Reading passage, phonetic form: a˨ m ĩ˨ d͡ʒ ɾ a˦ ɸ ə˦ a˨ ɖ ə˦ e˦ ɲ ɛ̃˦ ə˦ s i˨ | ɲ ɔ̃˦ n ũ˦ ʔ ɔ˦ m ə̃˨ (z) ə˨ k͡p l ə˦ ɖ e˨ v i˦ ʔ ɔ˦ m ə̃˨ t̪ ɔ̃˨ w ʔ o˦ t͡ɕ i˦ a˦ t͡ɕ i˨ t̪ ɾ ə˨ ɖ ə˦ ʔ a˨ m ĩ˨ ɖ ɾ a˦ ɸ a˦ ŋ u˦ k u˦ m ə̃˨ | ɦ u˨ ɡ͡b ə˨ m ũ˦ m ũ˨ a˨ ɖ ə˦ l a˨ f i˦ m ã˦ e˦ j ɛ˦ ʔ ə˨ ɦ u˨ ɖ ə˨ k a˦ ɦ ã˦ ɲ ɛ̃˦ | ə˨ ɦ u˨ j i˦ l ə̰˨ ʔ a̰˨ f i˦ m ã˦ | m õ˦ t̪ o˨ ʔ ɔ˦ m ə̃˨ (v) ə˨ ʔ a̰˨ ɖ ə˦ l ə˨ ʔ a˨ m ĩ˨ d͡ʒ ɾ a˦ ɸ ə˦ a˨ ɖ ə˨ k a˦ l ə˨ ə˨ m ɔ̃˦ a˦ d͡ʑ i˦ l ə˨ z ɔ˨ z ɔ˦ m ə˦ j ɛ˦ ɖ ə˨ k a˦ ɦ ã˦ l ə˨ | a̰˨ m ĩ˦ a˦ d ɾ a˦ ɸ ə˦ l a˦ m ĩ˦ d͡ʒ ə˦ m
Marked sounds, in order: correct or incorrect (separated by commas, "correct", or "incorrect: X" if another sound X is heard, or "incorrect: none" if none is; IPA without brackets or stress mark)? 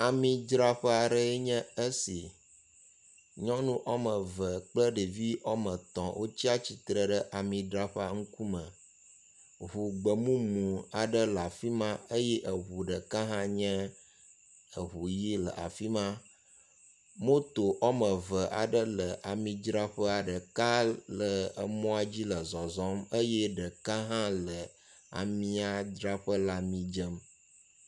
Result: incorrect: v, correct